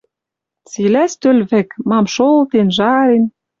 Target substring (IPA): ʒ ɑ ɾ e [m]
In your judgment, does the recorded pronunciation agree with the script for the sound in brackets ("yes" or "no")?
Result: no